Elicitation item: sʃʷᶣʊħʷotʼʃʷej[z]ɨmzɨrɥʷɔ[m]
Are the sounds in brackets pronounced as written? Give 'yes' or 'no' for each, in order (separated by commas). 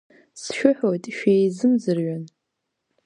yes, no